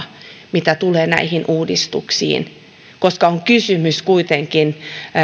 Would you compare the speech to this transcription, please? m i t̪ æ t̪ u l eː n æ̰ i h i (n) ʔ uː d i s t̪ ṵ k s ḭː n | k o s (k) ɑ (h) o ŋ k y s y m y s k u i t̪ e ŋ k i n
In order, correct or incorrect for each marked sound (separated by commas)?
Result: correct, correct, incorrect